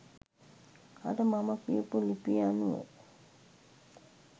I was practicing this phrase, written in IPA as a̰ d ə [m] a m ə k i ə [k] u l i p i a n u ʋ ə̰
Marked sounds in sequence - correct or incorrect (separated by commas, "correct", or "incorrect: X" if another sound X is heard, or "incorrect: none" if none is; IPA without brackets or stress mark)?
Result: correct, incorrect: p